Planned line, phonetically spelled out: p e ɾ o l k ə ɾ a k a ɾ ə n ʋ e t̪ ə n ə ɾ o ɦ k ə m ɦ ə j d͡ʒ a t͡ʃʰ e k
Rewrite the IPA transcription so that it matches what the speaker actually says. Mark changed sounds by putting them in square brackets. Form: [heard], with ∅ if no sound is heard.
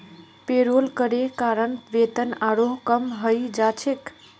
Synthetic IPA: p e ɾ o l k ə ɾ [e] k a ɾ ə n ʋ e t̪ ə n [a] ɾ o ɦ k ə m ɦ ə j d͡ʒ a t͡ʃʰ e k

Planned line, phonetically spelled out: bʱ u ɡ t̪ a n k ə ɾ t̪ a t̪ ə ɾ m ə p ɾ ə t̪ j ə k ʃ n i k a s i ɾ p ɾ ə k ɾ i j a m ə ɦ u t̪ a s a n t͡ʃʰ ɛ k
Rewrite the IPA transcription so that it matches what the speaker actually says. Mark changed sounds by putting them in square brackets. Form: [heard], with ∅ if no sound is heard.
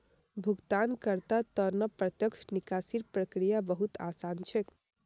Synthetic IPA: bʱ u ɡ t̪ a n k ə ɾ t̪ a t̪ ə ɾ [n] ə p ɾ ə t̪ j ə k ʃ n i k a s i ɾ p ɾ ə k ɾ i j a [b] ə ɦ u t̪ a s a n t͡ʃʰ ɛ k

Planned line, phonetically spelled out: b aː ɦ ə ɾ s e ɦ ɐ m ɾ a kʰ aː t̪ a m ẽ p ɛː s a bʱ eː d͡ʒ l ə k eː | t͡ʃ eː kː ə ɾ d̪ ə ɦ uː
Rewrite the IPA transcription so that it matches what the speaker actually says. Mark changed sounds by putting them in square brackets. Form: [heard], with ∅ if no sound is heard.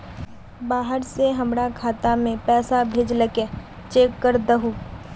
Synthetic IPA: b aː ɦ ə ɾ s e ɦ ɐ m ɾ a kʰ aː t̪ a m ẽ p ɛː s a bʱ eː d͡ʒ l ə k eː | t͡ʃ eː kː ə ɾ d̪ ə ɦ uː

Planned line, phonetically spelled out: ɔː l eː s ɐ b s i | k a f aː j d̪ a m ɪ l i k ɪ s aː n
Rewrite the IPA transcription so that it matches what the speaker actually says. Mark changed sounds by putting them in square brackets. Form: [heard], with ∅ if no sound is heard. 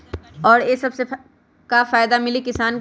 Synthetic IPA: ɔː [ɾ] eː s ɐ b s [e] | k a f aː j d̪ a m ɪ l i k ɪ s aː n

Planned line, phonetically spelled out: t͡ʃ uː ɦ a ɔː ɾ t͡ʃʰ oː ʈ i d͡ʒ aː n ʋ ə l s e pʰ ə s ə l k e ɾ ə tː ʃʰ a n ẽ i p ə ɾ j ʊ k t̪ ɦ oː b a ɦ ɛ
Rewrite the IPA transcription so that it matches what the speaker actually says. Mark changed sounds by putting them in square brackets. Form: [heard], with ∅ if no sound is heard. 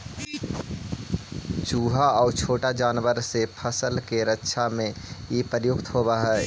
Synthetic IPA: t͡ʃ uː ɦ a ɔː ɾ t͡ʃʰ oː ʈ [a] d͡ʒ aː n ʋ ə [ɾ] s e pʰ ə s ə l k e ɾ ə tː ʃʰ a [m] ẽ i p ə ɾ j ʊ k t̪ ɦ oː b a ɦ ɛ

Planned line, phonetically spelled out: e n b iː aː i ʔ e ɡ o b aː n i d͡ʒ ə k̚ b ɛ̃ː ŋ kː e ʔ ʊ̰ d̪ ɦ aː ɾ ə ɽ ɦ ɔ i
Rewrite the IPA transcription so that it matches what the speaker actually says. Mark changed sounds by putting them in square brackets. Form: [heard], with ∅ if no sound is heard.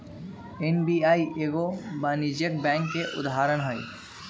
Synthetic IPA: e n b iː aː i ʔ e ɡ o b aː n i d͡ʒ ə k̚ b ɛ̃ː ŋ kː e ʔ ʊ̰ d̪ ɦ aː ɾ ə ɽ ɦ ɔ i

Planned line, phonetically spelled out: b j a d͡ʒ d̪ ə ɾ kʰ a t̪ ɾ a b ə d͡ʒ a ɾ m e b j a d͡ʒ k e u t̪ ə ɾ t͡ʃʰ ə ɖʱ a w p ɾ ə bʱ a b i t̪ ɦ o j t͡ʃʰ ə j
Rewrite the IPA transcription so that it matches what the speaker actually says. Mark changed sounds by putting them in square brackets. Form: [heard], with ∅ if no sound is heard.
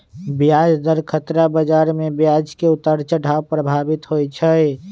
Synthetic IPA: b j a d͡ʒ d̪ ə ɾ kʰ [ə] t̪ ɾ a b ə d͡ʒ a ɾ m e b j a d͡ʒ k e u t̪ ə ɾ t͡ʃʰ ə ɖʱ a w p ɾ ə bʱ a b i t̪ ɦ o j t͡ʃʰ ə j

